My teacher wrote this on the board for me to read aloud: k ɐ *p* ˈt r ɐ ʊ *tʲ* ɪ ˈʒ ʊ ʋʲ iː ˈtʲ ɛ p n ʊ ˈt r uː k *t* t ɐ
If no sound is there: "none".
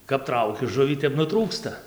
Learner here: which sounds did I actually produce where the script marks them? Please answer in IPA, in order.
p, kʲ, s

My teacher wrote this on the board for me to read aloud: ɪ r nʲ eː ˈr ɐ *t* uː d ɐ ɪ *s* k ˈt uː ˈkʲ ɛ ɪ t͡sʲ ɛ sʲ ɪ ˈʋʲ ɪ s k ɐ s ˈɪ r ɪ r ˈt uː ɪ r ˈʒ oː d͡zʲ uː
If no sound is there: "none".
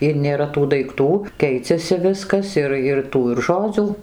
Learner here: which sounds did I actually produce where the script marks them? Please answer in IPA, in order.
t, none

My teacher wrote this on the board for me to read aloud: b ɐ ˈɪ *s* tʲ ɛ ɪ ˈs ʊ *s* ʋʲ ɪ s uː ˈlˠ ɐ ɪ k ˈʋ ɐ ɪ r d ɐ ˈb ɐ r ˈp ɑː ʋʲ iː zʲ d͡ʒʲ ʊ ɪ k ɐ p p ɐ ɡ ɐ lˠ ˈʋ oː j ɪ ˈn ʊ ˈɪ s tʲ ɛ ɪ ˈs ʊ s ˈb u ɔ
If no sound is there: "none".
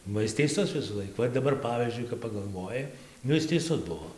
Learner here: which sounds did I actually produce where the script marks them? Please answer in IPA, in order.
s, s

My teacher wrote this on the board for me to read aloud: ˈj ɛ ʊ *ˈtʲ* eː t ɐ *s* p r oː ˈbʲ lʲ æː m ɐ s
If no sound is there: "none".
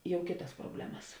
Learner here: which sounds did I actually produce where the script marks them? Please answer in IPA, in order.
kʲ, s

